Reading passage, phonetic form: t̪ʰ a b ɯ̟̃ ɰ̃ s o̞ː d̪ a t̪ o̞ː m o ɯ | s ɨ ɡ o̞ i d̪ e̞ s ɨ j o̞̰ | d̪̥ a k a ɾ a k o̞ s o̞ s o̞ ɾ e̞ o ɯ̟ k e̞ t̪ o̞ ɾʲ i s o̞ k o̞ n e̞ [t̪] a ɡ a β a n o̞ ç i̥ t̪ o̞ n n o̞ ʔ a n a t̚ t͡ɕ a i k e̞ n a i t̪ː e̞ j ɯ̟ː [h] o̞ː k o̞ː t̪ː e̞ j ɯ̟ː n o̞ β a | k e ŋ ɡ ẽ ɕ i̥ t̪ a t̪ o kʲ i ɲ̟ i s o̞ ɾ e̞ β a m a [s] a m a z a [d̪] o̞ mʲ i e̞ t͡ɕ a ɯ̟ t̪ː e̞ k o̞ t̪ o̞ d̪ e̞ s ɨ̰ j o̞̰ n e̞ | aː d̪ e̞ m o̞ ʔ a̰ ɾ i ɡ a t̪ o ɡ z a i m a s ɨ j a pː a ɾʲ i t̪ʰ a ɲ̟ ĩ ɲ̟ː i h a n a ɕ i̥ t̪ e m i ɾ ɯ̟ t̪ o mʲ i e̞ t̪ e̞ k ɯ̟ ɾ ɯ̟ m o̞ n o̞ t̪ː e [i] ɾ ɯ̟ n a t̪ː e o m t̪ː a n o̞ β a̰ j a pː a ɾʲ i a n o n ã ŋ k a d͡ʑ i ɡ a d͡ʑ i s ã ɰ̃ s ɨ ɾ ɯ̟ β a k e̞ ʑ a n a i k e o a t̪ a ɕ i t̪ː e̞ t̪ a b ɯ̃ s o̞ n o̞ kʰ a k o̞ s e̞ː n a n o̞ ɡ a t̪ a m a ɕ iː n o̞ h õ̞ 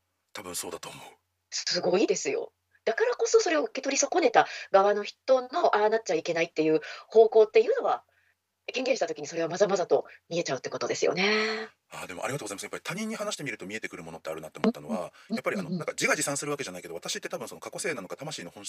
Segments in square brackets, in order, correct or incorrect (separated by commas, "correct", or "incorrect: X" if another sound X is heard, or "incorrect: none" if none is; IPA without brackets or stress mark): correct, correct, incorrect: z, incorrect: t̪, incorrect: a